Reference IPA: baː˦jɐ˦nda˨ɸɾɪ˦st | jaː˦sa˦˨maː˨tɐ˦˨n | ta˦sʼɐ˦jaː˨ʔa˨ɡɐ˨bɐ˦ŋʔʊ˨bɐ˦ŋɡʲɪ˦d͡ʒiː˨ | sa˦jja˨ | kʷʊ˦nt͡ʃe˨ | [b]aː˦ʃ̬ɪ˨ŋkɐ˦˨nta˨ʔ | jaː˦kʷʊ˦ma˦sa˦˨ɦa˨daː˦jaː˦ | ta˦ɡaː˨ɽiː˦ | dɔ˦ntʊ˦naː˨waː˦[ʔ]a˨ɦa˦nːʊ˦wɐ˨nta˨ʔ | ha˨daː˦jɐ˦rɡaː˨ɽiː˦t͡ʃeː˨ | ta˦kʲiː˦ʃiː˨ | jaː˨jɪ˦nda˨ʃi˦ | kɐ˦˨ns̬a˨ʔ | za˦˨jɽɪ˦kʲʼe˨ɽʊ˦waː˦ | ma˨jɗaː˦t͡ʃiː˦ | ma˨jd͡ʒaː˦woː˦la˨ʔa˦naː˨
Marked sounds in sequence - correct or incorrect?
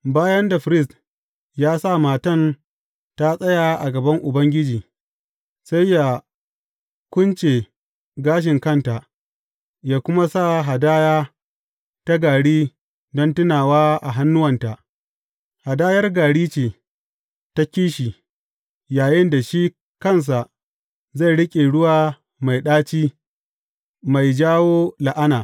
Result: incorrect, correct

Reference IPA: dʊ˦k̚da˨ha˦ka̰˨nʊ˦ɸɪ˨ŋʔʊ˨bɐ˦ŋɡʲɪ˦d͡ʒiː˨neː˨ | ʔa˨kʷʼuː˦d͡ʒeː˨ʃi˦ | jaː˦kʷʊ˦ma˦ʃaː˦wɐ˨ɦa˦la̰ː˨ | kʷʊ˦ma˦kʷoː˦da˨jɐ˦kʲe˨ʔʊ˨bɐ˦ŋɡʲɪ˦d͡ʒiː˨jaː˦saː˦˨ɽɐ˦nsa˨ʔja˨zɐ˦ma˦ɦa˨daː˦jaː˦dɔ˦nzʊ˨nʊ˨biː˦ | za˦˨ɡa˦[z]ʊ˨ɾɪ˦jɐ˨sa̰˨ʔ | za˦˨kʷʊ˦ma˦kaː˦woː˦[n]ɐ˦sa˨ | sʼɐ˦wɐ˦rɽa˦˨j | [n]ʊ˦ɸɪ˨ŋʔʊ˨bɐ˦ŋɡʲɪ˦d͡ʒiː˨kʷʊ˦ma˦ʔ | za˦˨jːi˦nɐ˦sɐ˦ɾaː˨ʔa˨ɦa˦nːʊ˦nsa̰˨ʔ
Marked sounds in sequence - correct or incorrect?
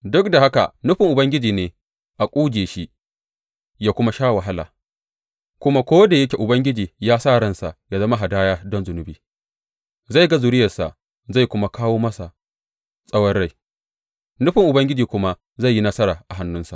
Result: correct, incorrect, correct

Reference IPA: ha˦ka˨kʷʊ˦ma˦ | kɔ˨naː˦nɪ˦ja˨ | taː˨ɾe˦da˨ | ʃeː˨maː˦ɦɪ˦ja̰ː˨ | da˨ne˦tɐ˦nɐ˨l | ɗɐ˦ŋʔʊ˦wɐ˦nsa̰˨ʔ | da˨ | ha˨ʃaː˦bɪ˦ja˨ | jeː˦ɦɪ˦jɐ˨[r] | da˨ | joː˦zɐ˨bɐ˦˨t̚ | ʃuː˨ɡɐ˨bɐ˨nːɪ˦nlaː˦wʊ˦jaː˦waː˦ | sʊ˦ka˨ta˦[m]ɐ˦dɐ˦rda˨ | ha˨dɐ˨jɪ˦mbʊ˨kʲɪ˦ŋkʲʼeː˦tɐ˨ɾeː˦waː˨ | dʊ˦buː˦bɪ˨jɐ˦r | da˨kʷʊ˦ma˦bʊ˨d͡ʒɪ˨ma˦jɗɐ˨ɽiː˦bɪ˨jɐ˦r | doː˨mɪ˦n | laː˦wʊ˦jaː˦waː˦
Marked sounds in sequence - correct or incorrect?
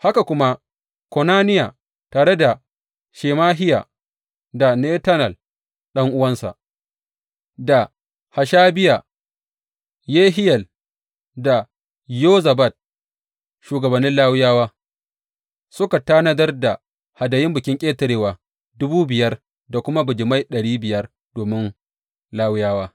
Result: incorrect, incorrect

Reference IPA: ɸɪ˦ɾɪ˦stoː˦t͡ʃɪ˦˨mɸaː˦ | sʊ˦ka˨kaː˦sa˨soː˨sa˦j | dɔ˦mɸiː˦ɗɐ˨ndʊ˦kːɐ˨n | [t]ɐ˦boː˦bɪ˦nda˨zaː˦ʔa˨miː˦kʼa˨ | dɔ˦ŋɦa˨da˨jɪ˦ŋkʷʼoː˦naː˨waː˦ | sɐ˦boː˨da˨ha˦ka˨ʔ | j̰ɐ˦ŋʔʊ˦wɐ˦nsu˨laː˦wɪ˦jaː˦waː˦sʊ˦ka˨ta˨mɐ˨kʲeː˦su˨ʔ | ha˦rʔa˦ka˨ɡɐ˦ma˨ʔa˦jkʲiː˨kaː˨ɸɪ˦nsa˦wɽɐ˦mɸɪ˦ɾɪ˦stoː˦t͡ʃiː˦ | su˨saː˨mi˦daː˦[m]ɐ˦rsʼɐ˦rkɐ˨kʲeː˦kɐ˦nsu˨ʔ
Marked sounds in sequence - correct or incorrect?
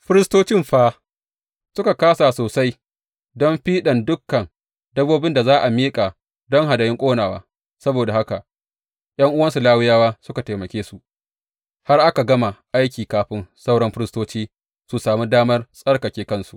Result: incorrect, correct

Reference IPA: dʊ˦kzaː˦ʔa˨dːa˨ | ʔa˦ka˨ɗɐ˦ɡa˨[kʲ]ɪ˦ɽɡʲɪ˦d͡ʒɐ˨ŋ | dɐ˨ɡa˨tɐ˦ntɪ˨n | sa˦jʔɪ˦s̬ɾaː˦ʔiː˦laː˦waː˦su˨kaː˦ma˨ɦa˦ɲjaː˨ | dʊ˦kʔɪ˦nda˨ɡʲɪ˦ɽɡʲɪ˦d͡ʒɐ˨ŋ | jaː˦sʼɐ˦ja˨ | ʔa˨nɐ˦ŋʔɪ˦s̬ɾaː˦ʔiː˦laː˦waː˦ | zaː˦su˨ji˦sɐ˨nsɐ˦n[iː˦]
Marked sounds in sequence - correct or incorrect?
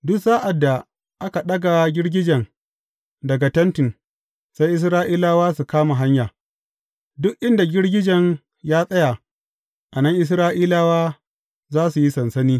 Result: incorrect, correct

